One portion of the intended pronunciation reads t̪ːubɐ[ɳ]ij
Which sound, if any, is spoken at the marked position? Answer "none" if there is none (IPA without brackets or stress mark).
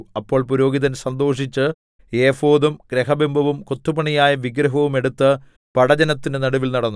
ɳ